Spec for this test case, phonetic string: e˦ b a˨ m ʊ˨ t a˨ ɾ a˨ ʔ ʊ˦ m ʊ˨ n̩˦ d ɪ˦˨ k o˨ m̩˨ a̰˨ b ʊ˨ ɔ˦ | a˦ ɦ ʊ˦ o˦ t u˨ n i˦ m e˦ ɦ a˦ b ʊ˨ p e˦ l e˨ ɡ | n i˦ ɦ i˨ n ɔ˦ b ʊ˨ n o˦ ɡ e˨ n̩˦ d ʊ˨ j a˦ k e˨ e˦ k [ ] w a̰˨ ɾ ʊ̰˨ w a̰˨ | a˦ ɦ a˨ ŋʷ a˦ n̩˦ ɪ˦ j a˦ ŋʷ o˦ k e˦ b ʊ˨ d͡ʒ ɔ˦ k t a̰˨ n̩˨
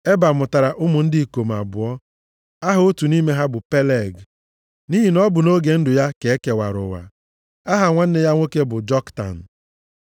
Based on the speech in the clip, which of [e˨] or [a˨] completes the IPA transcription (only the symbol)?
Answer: e˨